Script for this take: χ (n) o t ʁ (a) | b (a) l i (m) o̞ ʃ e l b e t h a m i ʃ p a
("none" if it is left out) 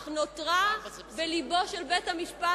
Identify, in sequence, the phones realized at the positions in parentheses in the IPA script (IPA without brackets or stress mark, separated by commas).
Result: n, a, e, b